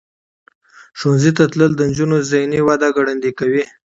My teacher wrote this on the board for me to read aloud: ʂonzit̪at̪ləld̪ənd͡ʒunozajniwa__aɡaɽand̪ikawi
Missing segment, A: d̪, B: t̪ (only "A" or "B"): A